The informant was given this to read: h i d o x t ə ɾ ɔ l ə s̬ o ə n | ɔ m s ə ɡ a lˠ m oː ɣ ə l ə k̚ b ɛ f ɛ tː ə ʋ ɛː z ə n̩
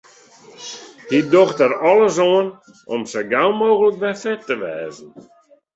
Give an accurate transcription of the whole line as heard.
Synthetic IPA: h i d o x t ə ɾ ɔ l ə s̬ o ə n | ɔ m s ə ɡ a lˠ m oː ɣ ə l ə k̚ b ɛ f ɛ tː ə ʋ ɛː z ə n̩

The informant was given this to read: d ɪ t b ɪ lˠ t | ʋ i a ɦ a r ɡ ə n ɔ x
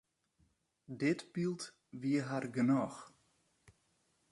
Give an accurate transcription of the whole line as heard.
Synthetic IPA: d ɪ t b i lˠ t | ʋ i ə ɦ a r ɡ ə n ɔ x

